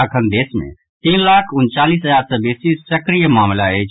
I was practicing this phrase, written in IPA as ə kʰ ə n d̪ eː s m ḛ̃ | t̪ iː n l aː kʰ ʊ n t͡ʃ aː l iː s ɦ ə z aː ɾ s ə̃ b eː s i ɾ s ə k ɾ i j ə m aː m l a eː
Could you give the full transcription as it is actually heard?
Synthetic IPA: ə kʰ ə n d̪ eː s m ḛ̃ | t̪ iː n l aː kʰ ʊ n t͡ʃ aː l iː s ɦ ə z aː ɾ s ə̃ b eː s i s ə k ɾ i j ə m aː m l a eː